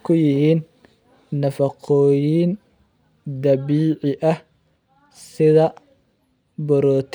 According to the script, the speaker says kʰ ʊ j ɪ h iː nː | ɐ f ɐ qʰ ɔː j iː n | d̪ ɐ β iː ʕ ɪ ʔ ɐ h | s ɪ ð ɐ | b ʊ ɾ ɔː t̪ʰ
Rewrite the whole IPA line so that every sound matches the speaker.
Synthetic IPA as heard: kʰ ʊ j ɪ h iː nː | ɐ f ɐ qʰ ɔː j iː n | d̪ ɐ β iː ʕ ɪ ʔ ɐ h | s ɪ ð ɐ | b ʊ ɾ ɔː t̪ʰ